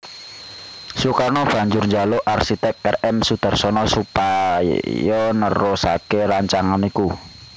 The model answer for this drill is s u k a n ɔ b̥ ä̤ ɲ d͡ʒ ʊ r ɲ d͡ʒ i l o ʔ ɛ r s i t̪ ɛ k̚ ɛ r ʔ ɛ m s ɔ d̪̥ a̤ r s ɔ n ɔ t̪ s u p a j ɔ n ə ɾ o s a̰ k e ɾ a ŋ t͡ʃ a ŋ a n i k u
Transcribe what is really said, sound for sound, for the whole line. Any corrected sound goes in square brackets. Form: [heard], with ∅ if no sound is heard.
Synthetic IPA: s u k a n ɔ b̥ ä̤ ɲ d͡ʒ ʊ r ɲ d͡ʒ [a] l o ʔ [a] r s i t̪ ɛ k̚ ɛ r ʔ ɛ m s [u] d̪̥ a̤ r s ɔ n ɔ [∅] s u p a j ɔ n ə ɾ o s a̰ k e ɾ a [ɲ] t͡ʃ a ŋ a n i k u